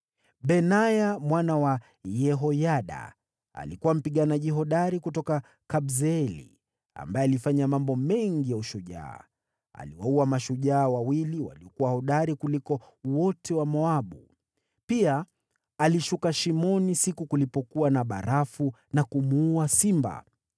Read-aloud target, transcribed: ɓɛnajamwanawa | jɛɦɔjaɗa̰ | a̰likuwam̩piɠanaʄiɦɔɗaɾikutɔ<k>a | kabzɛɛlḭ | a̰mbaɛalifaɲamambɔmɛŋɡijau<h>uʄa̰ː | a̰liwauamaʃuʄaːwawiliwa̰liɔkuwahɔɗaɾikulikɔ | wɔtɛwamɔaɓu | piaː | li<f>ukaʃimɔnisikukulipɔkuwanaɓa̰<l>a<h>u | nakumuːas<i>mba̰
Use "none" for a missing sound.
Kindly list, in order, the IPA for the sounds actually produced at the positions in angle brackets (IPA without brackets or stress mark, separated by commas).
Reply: k, ʃ, ʃ, ɾ, f, i